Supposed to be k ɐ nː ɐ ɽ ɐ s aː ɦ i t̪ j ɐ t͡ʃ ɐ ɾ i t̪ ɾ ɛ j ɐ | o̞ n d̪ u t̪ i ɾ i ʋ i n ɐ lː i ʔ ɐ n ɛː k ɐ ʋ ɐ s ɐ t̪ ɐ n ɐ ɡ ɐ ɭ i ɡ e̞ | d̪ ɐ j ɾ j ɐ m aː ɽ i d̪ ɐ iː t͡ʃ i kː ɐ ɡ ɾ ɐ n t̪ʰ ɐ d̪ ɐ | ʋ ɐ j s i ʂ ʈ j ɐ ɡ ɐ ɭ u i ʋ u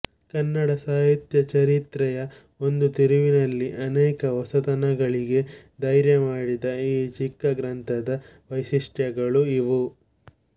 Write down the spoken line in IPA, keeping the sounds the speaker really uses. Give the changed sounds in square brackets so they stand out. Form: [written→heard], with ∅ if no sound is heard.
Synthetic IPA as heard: k ɐ nː ɐ ɽ ɐ s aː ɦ i t̪ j ɐ t͡ʃ ɐ ɾ i t̪ ɾ ɛ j ɐ | o̞ n d̪ u t̪ i ɾ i ʋ i n ɐ lː i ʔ ɐ n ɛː k ɐ ʋ ɐ s ɐ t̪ ɐ n ɐ ɡ ɐ ɭ i ɡ e̞ | d̪ ɐ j ɾ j ɐ m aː ɽ i d̪ ɐ iː t͡ʃ i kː ɐ ɡ ɾ ɐ n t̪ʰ ɐ d̪ ɐ | ʋ ɐ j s i ʂ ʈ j ɐ ɡ ɐ ɭ u i ʋ u